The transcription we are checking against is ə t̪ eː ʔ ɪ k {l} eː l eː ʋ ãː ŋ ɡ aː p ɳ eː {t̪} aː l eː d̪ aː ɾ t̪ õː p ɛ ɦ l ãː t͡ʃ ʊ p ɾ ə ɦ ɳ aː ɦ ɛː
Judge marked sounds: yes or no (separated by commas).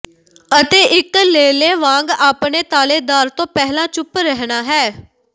yes, yes